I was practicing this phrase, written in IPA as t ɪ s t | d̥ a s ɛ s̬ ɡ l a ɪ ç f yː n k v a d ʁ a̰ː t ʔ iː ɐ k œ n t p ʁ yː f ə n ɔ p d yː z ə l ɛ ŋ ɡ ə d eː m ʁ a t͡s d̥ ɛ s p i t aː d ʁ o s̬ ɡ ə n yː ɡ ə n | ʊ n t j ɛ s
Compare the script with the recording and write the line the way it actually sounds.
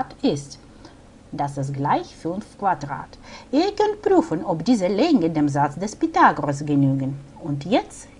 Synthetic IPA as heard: t ɪ s t | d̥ a s ɛ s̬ ɡ l a ɪ ç f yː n k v a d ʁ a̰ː t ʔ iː ɐ k œ n t p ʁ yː f ə n ɔ p d iː z ə l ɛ ŋ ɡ ə d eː m z a t͡s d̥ ɛ s p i t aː ɡ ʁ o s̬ ɡ ə n yː ɡ ə n | ʊ n t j ɛ t͡s